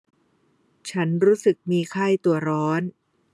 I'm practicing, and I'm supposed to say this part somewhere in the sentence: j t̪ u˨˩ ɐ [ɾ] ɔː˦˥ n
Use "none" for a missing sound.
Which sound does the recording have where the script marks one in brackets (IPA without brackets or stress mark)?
ɾ